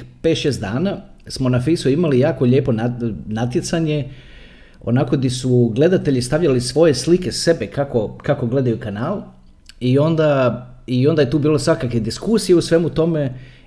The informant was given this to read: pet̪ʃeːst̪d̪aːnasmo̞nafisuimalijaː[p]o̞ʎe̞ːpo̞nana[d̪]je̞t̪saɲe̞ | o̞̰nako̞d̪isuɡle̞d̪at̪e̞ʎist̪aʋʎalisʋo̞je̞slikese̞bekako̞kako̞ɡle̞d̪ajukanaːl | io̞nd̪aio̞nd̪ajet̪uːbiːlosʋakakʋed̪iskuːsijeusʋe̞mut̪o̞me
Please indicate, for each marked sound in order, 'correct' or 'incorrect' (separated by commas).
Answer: incorrect, incorrect